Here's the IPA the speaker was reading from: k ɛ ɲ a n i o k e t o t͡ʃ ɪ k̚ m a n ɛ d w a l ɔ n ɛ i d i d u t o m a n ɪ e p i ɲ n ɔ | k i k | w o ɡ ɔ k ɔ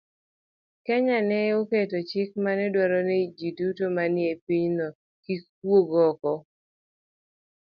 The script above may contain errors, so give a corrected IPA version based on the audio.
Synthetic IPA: k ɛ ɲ a n ɛ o k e t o t͡ʃ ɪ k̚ m a n ɛ d w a ɾ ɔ n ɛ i d͡ʒ i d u t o m a n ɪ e p i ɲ n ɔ | k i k | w o ɡ ɔ k ɔ